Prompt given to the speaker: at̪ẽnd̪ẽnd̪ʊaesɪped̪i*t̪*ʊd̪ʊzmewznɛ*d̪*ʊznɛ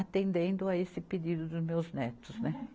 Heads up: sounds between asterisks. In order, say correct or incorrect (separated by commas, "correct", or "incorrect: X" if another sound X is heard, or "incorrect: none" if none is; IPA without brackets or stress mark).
incorrect: d̪, incorrect: t̪